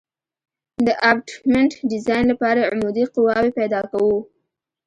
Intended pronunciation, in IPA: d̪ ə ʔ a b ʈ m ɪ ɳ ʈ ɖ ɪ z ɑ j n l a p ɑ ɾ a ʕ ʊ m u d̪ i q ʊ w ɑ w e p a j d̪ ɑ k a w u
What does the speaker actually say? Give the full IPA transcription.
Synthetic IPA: d̪ ə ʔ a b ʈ m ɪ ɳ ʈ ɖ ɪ z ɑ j n l a p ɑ ɾ a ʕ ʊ m u d̪ i q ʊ w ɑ w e p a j d̪ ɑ k a w u